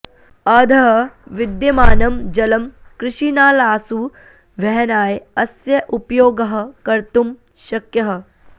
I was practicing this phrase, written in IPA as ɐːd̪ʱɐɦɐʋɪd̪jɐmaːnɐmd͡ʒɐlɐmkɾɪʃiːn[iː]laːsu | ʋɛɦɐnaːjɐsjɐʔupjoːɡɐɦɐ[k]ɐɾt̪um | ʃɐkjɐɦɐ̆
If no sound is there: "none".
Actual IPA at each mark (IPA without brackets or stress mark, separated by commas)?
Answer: aː, k